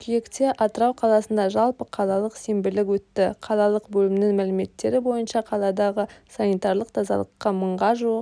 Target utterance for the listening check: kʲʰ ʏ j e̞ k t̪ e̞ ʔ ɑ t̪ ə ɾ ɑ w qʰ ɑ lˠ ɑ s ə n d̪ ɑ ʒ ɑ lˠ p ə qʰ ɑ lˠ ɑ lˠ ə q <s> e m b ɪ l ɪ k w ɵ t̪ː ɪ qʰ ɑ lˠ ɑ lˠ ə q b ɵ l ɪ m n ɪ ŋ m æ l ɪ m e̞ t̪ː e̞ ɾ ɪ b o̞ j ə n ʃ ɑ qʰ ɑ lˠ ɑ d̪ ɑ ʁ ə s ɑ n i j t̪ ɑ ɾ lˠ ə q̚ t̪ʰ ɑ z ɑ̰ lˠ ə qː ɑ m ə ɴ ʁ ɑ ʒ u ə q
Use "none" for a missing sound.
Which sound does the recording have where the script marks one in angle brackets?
s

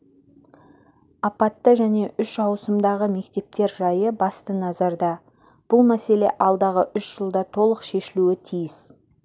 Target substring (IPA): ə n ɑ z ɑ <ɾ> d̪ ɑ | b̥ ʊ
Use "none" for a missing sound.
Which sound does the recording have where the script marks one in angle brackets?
ɾ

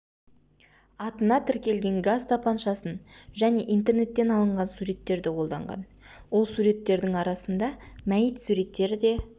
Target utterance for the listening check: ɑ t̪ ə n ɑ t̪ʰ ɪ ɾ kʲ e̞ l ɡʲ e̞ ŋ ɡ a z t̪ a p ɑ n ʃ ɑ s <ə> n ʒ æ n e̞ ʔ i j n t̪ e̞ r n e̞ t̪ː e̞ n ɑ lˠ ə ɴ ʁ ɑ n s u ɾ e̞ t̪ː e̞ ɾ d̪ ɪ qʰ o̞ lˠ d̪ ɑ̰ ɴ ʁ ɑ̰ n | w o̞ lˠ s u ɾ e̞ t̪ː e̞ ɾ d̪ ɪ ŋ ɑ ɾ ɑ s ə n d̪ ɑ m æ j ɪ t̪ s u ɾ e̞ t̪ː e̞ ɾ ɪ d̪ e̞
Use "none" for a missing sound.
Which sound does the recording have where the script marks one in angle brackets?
ə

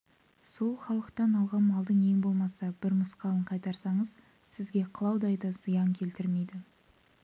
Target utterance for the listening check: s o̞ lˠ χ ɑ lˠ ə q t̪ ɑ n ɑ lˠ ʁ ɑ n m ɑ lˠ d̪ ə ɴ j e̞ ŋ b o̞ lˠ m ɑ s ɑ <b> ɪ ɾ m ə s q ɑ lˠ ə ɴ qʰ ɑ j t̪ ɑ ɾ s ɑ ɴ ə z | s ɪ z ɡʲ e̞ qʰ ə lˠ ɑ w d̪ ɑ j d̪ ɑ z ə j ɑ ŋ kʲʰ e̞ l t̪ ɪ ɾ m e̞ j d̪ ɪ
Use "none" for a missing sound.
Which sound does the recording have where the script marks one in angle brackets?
b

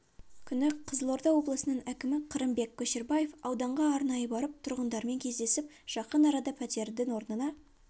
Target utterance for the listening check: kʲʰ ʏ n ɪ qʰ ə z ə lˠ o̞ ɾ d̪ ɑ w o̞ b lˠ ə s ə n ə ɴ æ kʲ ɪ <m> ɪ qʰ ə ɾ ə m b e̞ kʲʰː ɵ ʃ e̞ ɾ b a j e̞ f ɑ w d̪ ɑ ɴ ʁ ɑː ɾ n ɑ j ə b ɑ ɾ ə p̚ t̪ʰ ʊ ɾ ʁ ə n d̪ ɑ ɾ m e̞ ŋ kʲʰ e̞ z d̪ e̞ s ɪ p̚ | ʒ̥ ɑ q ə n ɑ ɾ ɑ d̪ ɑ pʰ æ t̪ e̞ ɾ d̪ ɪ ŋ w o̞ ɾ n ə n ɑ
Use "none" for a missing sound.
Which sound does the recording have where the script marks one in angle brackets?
m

